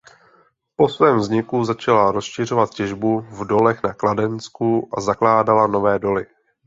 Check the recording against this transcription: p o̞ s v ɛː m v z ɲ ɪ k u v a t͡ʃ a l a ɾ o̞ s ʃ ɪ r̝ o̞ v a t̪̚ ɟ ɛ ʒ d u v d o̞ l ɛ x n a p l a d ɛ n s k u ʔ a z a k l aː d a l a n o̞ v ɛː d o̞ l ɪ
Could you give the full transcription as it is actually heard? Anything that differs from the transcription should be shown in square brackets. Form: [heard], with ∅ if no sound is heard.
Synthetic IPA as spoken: p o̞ s v ɛː m v z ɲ ɪ k u [z] a t͡ʃ a l a ɾ o̞ s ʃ ɪ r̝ o̞ v a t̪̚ [c] ɛ ʒ [b] u v d o̞ l ɛ x n a [k] l a d ɛ n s k u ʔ a z a k l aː d a l a n o̞ v ɛː d o̞ l ɪ